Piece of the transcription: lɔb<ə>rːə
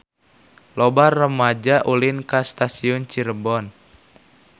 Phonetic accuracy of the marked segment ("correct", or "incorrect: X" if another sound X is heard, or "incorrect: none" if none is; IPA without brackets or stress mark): incorrect: a